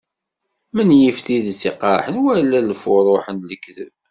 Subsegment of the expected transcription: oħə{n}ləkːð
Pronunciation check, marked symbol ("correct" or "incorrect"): correct